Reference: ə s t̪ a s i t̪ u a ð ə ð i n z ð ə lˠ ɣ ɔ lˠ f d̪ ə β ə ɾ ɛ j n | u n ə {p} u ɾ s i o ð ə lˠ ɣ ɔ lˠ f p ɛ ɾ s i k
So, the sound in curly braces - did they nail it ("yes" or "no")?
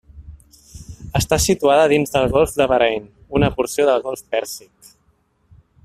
yes